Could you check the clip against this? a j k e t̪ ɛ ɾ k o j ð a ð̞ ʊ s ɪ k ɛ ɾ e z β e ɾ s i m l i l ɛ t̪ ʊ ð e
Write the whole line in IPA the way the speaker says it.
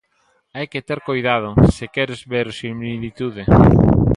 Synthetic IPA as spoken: a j k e t̪ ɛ ɾ k o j ð a ð̞ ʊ s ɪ k ɛ ɾ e z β e ɾ s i m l i l i t̪ u ð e